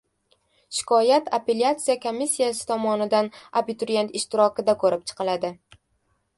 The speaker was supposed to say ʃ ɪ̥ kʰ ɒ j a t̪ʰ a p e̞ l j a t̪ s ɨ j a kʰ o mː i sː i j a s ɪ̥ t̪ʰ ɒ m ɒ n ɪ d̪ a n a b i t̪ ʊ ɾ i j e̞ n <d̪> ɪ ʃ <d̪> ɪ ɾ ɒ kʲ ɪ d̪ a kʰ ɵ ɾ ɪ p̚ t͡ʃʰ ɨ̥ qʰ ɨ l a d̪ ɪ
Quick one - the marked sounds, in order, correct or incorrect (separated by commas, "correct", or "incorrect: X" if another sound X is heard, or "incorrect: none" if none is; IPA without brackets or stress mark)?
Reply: incorrect: t̪, incorrect: t̪